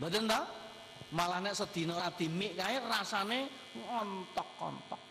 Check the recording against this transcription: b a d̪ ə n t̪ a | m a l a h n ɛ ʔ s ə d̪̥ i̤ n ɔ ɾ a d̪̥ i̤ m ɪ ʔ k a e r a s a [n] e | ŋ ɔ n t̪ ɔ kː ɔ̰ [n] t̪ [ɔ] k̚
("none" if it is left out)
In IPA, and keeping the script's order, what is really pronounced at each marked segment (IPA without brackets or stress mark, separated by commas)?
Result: n, n, ɔ